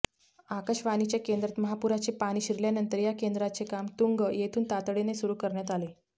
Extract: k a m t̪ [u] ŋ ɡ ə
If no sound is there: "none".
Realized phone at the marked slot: u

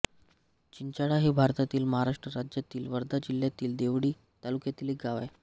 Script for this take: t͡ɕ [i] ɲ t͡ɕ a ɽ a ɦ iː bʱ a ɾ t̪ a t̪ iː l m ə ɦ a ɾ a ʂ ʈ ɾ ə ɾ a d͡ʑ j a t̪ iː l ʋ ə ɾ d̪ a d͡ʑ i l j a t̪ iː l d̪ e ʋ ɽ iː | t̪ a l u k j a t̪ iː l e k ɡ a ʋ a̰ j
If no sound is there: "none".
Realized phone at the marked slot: i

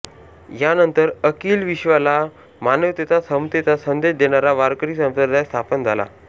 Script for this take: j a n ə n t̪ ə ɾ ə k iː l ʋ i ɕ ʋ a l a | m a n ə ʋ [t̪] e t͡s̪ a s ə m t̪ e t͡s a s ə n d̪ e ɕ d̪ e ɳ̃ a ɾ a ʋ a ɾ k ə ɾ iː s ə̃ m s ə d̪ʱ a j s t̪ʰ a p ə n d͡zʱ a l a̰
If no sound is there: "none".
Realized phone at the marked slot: t̪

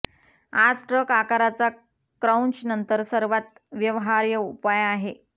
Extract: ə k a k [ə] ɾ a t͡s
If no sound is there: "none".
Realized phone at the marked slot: a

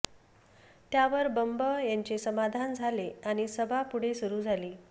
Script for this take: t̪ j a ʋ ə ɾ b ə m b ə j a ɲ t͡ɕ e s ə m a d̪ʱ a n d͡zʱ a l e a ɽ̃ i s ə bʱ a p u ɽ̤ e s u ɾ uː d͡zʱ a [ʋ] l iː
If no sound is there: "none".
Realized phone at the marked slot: none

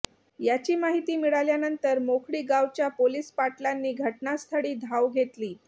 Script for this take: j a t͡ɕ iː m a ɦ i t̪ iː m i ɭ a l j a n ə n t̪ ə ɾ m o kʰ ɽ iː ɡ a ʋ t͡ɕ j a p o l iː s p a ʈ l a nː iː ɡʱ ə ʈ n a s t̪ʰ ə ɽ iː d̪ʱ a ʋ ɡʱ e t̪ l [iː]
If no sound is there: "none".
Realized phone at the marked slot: iː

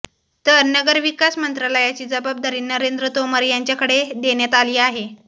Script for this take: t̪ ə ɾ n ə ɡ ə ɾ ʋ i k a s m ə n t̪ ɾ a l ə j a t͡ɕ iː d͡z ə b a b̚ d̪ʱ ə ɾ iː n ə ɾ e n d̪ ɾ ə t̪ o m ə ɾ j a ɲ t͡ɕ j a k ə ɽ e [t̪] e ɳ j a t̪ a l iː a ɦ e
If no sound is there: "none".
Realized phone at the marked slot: d̪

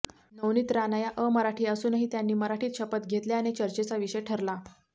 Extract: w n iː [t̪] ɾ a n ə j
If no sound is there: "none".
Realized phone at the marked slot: t̪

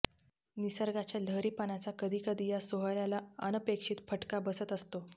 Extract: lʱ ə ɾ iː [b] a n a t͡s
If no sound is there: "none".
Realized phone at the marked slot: p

